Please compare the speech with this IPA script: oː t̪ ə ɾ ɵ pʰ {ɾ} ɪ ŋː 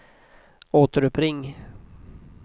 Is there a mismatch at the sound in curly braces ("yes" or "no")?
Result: no